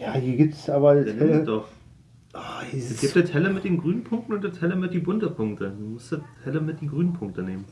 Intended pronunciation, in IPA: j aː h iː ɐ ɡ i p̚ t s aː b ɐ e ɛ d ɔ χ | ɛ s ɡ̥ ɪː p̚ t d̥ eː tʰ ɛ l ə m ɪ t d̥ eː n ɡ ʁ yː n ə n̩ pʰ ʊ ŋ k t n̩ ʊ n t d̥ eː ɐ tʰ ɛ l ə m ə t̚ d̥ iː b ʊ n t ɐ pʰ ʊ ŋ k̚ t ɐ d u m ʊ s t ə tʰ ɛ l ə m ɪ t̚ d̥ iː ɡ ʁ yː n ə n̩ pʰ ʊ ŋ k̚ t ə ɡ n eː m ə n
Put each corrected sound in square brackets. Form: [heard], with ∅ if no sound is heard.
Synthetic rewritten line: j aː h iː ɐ ɡ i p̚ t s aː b ɐ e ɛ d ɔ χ | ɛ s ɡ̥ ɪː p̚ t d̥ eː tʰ ɛ l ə m ɪ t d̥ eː n ɡ ʁ yː n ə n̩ pʰ ʊ ŋ k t n̩ ʊ n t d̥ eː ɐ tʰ ɛ l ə m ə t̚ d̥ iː b ʊ n t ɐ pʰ ʊ ŋ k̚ t [ə] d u m ʊ s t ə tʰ ɛ l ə m ɪ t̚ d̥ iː ɡ ʁ yː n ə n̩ pʰ ʊ ŋ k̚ t ə [∅] n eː m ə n